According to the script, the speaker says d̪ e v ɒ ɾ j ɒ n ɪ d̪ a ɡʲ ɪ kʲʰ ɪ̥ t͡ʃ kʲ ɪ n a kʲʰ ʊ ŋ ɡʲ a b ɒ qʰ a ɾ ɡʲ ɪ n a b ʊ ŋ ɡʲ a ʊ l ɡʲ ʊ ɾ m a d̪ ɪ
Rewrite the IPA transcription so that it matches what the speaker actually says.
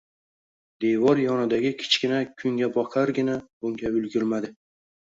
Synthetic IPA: d̪ e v ɒ ɾ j ɒ n ɪ d̪ a ɡʲ ɪ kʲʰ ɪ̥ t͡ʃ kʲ ɪ n a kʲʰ ʊ ŋ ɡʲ a b ɒ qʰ a ɾ ɡʲ ɪ n a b ʊ ŋ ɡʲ a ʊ l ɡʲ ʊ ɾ m a d̪ ɪ